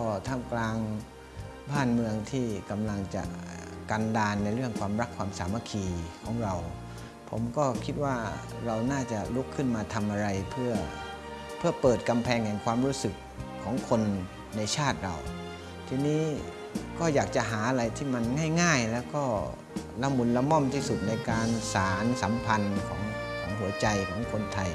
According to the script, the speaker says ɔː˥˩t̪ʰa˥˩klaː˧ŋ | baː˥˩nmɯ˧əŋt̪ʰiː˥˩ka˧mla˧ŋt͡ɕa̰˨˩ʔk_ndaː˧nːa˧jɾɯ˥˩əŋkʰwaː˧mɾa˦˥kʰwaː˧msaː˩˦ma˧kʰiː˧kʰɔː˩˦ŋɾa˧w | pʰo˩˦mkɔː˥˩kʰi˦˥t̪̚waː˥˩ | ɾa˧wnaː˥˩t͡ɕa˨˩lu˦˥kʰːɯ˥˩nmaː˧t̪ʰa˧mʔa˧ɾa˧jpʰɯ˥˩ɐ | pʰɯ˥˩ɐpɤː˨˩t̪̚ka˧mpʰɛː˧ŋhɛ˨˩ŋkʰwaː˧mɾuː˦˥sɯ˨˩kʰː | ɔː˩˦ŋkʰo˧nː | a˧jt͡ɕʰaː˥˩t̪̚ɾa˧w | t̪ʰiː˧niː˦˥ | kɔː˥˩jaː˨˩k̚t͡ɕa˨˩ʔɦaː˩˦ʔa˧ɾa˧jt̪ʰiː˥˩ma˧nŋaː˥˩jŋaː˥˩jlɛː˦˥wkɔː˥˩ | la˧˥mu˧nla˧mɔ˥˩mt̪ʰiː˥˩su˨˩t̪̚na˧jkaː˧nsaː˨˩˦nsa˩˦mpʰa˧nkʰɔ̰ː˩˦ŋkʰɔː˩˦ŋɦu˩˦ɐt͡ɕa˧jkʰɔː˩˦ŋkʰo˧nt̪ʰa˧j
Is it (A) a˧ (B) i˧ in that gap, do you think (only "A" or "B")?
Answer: A